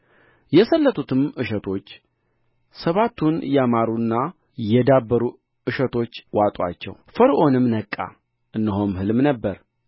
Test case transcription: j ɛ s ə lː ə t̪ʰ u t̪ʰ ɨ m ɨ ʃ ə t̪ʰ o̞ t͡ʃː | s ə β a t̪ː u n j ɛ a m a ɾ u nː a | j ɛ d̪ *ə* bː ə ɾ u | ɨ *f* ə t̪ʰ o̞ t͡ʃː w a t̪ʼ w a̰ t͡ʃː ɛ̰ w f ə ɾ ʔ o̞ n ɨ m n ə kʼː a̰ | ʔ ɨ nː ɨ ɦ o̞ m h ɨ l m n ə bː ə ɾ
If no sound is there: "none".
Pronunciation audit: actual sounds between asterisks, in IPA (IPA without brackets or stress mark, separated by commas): a, ʃ